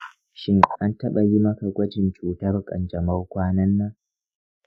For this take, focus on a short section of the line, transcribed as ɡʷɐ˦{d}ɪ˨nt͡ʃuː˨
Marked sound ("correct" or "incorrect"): incorrect